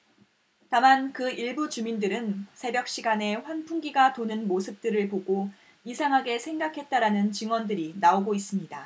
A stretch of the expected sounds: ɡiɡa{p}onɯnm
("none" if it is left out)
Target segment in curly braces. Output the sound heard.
t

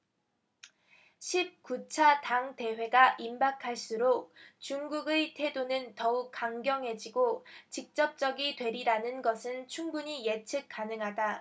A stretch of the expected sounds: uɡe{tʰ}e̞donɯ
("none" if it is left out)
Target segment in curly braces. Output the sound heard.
tʰ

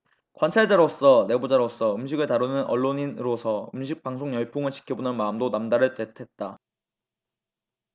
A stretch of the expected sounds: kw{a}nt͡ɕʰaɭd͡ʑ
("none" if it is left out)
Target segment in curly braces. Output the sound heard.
a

